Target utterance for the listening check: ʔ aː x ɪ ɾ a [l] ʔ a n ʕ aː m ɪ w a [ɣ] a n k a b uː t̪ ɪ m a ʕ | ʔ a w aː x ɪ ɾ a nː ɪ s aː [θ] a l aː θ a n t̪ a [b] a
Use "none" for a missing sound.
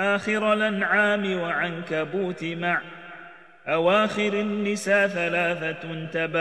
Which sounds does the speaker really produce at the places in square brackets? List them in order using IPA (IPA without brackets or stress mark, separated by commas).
l, ʕ, θ, b